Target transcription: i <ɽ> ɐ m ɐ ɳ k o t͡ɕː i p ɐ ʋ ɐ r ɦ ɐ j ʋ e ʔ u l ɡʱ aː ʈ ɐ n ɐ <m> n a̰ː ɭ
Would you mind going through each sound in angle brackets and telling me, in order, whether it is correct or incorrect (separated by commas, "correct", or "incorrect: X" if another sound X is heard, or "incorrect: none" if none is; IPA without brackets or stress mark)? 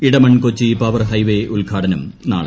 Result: correct, correct